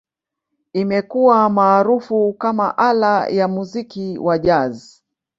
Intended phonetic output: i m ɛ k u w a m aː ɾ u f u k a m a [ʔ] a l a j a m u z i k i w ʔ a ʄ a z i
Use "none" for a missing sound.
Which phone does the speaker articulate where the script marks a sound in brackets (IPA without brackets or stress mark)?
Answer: ʔ